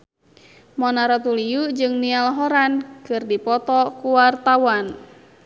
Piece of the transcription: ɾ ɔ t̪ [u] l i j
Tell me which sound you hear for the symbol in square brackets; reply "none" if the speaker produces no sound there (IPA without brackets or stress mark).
u